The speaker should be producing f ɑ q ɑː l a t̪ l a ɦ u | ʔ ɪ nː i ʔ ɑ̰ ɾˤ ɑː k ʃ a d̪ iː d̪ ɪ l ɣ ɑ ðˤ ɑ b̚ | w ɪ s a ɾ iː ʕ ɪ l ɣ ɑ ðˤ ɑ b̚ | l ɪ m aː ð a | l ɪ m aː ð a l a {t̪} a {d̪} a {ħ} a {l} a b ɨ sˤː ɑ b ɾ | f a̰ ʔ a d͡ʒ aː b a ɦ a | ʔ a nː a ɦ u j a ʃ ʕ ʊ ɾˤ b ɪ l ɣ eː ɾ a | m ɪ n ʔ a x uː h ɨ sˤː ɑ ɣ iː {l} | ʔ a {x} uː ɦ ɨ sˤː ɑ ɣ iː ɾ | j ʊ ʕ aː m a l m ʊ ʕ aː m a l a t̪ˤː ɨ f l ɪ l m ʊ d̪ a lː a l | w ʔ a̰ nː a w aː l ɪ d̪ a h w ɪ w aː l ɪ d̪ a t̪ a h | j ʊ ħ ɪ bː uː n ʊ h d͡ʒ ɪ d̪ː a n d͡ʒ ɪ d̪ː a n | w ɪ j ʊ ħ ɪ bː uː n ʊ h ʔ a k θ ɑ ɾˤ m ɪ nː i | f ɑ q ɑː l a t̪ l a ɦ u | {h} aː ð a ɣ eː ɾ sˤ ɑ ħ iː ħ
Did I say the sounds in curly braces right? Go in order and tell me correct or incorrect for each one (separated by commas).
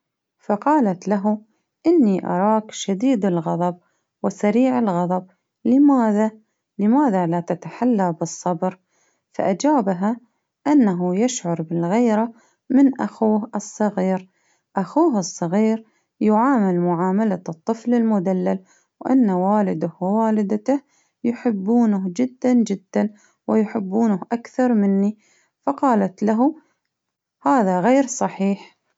correct, incorrect, correct, incorrect, incorrect, correct, correct